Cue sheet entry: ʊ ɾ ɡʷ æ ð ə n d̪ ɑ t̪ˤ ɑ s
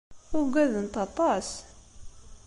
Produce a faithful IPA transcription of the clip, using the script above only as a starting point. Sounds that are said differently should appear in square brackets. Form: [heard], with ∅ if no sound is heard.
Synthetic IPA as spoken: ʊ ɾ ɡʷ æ ð ə n [t̪] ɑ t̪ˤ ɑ s